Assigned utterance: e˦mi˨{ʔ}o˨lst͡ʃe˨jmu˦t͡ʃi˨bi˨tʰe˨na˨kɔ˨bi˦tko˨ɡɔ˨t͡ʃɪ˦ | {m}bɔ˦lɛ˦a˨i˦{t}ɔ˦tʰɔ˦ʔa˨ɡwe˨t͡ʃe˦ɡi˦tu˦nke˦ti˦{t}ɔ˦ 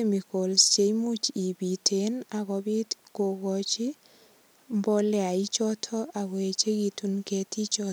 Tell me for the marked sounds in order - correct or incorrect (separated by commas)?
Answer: incorrect, correct, incorrect, incorrect